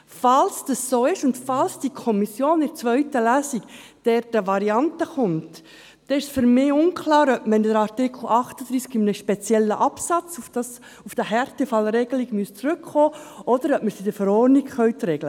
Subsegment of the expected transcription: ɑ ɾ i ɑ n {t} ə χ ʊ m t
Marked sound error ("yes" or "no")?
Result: no